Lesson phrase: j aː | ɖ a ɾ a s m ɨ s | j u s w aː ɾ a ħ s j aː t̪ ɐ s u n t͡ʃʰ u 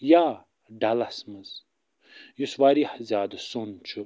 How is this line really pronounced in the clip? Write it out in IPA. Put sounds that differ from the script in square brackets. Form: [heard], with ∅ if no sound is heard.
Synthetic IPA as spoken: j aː | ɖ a [l] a s m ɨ [z] | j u s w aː ɾ [i] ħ [z] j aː [d̪] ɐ s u n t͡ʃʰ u